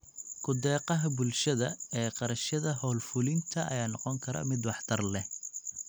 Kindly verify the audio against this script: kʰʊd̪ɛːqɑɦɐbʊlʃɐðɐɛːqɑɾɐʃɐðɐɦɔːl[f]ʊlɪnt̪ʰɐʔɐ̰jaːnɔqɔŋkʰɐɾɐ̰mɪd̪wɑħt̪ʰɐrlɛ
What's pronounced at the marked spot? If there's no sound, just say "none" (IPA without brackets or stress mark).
f